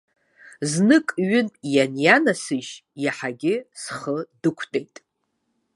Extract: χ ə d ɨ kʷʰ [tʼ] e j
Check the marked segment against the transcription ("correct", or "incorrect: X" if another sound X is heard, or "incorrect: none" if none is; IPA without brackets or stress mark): correct